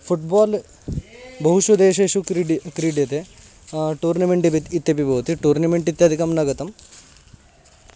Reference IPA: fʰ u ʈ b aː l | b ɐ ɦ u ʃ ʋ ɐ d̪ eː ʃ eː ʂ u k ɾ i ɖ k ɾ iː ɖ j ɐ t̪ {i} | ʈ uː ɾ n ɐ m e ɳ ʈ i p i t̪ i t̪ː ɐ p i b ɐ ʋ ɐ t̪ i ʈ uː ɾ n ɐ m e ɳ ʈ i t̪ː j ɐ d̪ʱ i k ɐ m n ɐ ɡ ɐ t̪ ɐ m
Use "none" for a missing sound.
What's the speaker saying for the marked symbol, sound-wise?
e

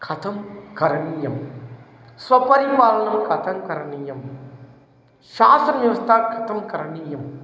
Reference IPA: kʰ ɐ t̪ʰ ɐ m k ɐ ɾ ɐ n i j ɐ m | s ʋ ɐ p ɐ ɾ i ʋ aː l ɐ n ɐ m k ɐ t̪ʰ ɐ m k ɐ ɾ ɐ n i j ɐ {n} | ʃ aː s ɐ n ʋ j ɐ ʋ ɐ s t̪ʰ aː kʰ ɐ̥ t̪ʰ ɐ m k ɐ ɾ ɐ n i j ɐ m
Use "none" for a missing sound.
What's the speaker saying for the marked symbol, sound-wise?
m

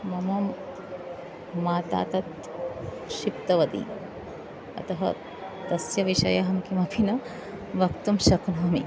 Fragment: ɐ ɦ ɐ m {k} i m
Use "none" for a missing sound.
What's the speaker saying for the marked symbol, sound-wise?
k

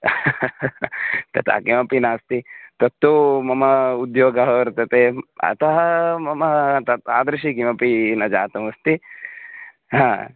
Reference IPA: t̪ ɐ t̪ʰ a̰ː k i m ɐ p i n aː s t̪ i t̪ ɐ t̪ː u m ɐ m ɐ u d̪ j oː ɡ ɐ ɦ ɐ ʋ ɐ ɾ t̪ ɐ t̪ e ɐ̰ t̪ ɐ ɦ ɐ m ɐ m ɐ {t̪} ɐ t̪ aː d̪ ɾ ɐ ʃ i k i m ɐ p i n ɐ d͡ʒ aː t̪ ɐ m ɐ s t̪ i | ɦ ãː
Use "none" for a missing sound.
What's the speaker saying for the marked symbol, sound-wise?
t̪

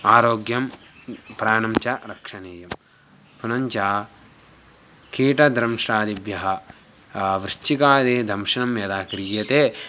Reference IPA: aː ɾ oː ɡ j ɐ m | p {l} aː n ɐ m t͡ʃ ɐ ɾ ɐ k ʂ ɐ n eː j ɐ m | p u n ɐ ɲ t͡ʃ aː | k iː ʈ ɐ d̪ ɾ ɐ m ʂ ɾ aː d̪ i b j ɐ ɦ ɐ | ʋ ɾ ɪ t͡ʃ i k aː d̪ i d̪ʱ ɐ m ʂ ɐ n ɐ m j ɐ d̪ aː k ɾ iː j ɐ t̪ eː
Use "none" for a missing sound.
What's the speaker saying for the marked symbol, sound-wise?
ɾ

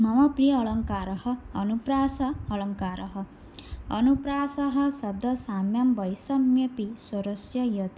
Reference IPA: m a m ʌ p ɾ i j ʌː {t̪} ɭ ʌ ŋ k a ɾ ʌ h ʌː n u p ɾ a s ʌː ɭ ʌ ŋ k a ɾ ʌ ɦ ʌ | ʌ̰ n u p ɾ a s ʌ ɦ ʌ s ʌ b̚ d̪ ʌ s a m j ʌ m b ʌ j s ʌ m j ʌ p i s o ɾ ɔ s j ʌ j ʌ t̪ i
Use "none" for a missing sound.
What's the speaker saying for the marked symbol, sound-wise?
none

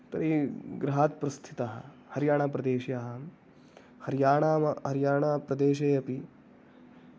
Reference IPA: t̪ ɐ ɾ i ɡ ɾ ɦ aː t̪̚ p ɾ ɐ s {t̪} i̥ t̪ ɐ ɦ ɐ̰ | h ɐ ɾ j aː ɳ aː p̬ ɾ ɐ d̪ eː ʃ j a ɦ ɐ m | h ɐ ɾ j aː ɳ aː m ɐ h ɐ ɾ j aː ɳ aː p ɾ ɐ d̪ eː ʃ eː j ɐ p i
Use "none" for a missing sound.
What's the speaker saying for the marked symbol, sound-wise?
t̪ʰ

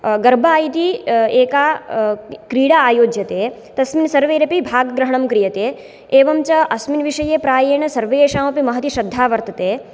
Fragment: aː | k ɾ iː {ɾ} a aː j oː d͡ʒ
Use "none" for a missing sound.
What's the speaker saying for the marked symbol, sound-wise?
ɽ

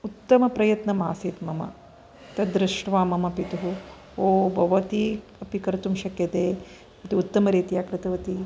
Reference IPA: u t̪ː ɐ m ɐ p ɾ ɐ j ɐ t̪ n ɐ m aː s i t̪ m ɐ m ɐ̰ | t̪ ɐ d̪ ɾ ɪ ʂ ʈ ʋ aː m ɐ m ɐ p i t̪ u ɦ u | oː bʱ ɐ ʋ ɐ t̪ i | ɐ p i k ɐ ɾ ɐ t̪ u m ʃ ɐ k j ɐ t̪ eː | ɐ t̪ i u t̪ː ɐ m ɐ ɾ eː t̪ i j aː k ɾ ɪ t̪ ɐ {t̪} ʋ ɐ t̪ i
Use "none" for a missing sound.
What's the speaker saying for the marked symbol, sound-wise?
none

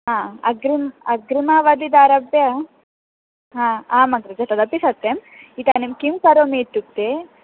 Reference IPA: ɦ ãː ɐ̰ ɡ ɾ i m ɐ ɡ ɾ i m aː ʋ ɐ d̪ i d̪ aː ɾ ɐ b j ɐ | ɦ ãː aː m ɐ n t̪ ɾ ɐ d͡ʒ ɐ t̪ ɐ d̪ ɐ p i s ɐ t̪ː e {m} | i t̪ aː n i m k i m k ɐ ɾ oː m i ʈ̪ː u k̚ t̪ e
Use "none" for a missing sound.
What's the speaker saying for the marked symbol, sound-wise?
m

